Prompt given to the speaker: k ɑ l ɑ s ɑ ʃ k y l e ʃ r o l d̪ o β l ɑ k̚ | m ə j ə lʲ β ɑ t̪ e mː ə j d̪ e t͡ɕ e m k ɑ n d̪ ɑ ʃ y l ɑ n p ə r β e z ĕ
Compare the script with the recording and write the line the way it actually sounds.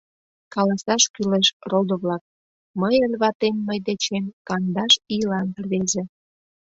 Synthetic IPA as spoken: k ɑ l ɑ s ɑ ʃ k y l e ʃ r o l d̪ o β l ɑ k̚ | m ə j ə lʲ β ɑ t̪ e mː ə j d̪ e t͡ɕ e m k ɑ n d̪ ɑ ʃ i l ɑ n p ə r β e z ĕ

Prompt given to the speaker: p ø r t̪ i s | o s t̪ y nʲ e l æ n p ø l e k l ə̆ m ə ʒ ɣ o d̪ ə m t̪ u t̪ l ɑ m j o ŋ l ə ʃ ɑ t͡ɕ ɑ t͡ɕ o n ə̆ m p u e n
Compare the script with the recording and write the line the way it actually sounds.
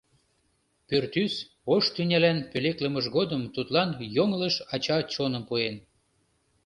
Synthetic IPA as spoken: p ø r t̪ y s | o ʃ t̪ y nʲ æ l æ n p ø l e k l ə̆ m ə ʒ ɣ o d̪ ə m t̪ u t̪ l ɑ n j o ŋ l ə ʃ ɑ t͡ɕ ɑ t͡ɕ o n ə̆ m p u e n

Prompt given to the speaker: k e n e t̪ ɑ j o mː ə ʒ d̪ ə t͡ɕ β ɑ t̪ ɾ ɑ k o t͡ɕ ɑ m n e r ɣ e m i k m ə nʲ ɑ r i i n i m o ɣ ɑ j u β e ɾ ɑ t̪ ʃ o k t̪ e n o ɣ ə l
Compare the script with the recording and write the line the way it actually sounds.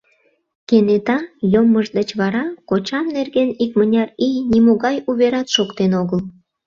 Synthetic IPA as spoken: k e n e t̪ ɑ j o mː ə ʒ d̪ ə t͡ɕ β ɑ ɾ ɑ k o t͡ɕ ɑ m n e r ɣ e n i k m ə nʲ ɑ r i j n i m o ɣ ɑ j u β e ɾ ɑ t̪ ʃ o k t̪ e n o ɣ ə l

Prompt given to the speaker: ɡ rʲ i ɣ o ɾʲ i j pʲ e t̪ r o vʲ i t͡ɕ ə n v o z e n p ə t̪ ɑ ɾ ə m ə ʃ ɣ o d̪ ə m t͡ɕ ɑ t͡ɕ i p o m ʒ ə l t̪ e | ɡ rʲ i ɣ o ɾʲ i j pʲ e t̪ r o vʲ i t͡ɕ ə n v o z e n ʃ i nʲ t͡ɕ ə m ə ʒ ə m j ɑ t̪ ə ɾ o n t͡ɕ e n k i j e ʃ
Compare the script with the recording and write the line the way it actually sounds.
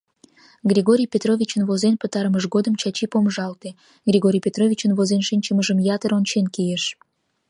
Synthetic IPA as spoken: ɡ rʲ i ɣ o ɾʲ i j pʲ e t̪ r o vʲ i t͡ɕ ə n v o z e n p ə t̪ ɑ ɾ ə m ə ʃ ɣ o d̪ ə m t͡ɕ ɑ t͡ɕ i p o m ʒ ɑ l t̪ e | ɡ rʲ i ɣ o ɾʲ i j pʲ e t̪ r o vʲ i t͡ɕ ə n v o z e n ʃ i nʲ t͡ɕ ə m ə ʒ ə m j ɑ t̪ ə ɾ o n t͡ɕ e n k i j e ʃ

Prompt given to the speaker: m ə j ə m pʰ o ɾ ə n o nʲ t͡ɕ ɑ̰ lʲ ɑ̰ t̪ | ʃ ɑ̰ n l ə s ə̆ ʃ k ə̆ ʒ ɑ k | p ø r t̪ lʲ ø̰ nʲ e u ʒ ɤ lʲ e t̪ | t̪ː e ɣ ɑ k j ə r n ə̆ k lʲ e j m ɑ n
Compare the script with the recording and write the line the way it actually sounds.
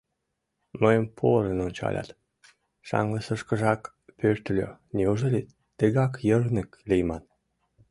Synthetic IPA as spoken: m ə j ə m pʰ o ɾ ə n o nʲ t͡ɕ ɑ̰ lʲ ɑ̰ t̪ | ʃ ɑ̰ ŋ l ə s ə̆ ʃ k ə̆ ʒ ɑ k | p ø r t̪ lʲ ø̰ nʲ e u ʒ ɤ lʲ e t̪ | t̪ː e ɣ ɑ k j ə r n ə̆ k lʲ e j m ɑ n

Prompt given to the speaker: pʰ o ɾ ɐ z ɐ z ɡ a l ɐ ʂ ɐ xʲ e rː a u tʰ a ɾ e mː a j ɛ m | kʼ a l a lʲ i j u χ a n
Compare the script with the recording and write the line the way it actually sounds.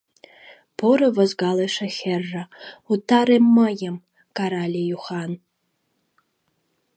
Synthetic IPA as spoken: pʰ o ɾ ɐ v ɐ z ɡ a l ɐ ʂ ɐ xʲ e rː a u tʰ a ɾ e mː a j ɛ m | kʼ a ɾ a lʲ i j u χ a n

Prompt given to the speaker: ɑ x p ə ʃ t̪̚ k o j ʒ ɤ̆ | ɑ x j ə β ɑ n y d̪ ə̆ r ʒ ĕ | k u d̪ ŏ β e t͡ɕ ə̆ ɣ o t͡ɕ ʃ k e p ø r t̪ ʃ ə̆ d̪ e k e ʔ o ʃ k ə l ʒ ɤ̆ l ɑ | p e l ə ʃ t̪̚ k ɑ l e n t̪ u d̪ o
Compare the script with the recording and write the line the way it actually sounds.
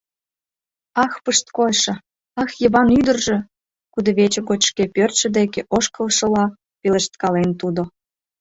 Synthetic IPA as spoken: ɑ x p ə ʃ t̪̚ k o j ʃ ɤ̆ | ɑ x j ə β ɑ n y d̪ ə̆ r ʒ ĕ | k u d̪ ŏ β e t͡ɕ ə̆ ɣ o t͡ɕ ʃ k e p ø r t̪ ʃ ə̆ d̪ e k e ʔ o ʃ k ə l ʃ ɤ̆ l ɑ | p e l ə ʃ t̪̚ k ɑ l e n t̪ u d̪ o

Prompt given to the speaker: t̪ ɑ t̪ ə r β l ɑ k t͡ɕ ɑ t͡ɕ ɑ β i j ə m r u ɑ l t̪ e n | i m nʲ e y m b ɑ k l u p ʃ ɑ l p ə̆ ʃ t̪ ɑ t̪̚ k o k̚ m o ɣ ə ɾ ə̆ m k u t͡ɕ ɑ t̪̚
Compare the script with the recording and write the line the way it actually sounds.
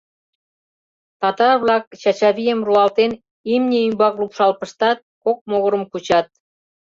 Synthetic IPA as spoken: t̪ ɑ t̪ ɑ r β l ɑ k t͡ɕ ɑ t͡ɕ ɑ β i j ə m r u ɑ l t̪ e n | i m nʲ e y m b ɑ k l u p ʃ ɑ l p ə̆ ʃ t̪ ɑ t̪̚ k o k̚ m o ɣ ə ɾ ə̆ m k u t͡ɕ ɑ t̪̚

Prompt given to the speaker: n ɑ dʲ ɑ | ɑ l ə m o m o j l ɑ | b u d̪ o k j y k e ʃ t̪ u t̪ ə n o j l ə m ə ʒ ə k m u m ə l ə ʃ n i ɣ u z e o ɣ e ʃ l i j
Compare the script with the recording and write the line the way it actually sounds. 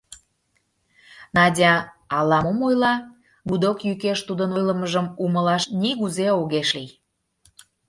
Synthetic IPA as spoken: n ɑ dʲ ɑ | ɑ l ɑ m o m o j l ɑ | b u d̪ o k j y k e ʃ t̪ u d̪ ə n o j l ə m ə ʒ ə m u m ə l ɑ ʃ n i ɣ u z e o ɣ e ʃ l i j

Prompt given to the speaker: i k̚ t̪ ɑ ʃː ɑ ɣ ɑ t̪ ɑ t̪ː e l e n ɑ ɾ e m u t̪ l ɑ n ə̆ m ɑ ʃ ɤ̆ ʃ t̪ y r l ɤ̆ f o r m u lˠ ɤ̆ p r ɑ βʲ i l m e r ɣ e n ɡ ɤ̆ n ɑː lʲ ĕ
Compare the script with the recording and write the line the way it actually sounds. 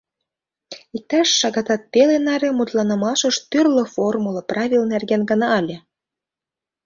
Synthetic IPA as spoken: i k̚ t̪ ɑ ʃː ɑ ɣ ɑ t̪ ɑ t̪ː e l e n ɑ ɾ e m u t̪ l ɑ n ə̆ m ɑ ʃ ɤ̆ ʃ t̪ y r l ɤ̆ f o r m u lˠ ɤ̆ p r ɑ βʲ i l n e r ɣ e n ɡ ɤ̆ n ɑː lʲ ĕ

